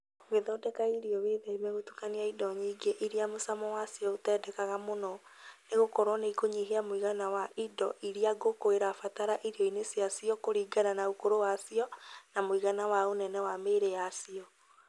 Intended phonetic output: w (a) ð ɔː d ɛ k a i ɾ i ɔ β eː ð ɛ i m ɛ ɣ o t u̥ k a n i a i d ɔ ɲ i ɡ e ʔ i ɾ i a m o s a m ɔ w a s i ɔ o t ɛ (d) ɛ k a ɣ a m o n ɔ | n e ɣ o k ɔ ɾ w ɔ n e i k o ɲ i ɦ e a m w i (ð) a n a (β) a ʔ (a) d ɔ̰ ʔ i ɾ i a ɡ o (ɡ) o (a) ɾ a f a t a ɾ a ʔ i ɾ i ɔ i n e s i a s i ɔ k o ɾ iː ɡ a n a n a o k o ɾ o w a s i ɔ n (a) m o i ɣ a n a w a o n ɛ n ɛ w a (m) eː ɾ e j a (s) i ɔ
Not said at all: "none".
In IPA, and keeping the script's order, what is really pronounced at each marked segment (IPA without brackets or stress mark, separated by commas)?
e, d, ɣ, w, i, k, e, a, m, s